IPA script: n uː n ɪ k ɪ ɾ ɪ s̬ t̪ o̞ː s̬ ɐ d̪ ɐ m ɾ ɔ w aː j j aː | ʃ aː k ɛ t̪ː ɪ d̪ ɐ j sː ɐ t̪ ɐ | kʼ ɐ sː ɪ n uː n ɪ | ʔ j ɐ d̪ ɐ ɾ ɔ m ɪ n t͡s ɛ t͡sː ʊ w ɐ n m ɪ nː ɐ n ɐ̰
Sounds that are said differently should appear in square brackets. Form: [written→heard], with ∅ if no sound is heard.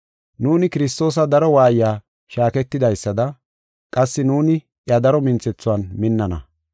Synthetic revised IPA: n uː n ɪ k ɪ ɾ ɪ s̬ t̪ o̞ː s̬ ɐ d̪ ɐ [m→∅] ɾ ɔ w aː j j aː | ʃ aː k ɛ t̪ː ɪ d̪ ɐ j sː ɐ [t̪→d̪] ɐ | kʼ ɐ sː ɪ n uː n ɪ | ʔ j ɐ d̪ ɐ ɾ ɔ m ɪ n t͡s ɛ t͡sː ʊ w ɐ n m ɪ nː ɐ n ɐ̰